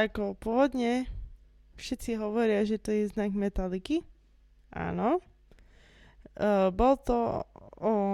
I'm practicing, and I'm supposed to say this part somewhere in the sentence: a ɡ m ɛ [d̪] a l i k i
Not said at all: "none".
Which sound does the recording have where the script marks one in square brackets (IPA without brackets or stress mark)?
t̪